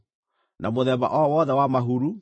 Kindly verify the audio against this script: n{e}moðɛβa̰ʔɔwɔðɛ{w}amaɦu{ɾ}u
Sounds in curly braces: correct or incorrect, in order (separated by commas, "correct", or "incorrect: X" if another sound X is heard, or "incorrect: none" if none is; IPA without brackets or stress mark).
incorrect: a, correct, correct